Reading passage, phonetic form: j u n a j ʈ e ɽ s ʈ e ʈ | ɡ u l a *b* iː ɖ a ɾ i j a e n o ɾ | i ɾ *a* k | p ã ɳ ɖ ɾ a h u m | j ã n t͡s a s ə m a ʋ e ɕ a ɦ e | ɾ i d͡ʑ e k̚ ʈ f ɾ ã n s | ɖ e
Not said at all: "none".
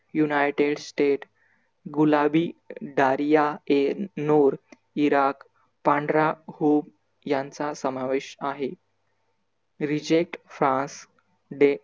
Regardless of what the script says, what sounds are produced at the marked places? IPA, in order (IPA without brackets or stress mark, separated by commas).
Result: b, a